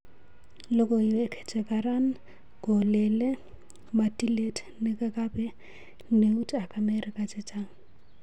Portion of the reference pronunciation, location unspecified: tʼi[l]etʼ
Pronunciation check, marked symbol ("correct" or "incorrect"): correct